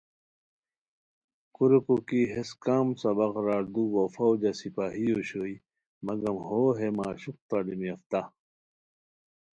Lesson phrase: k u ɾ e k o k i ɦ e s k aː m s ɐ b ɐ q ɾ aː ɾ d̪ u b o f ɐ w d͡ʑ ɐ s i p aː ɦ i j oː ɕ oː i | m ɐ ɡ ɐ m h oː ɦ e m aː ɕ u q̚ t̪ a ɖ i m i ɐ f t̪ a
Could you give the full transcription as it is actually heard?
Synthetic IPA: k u ɾ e k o k i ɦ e s k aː m s ɐ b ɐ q ɾ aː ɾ d̪ u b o f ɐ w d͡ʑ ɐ s i p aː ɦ i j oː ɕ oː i | m ɐ ɡ ɐ m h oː ɦ e m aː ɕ u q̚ t̪ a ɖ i m i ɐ f t̪ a